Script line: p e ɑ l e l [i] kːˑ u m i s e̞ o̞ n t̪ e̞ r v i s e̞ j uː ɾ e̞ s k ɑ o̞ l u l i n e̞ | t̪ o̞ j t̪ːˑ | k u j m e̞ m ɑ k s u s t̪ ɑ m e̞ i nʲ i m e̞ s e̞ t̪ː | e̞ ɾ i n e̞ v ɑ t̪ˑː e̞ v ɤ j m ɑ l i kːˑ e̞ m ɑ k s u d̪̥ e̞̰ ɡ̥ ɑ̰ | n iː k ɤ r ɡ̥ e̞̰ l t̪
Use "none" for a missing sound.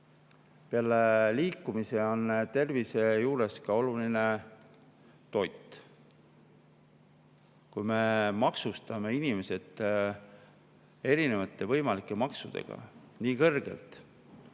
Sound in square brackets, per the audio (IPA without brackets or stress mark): iː